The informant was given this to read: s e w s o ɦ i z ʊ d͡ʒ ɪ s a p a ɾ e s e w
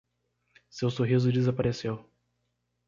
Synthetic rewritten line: s e w s o ɦ i z ʊ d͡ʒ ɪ z a p a ɾ e s e w